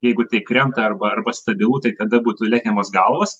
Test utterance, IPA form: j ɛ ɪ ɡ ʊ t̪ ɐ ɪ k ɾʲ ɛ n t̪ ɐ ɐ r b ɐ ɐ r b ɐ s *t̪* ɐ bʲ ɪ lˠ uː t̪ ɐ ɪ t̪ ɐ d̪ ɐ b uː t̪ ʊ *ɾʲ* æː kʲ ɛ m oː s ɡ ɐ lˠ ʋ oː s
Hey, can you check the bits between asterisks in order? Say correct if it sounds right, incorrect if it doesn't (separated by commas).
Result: correct, incorrect